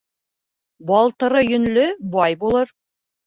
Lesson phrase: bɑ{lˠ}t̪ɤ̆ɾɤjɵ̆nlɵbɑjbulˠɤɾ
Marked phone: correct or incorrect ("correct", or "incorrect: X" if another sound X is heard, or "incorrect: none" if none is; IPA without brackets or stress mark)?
correct